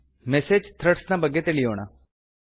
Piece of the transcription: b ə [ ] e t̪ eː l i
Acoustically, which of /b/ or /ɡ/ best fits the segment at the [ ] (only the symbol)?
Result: ɡ